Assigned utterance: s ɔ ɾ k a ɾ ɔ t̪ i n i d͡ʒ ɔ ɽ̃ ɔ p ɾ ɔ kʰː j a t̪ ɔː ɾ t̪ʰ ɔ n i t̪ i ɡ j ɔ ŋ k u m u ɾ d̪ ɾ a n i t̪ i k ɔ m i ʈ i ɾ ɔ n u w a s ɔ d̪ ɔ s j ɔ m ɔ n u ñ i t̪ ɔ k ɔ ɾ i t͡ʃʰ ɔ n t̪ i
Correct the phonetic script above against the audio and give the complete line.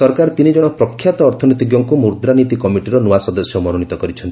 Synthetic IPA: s ɔ ɾ k a ɾ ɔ t̪ i n i d͡ʒ ɔ ɽ̃ ɔ p ɾ ɔ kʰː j a t̪ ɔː ɾ t̪ʰ ɔ n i t̪ i ɡ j ɔ ŋ k u m u ɾ d̪ ɾ a n i t̪ i k ɔ m i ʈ i ɾ ɔ n u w a s ɔ d̪ ɔ s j ɔ m ɔ n u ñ i t̪ ɔ k ɔ ɾ i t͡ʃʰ ɔ n t̪ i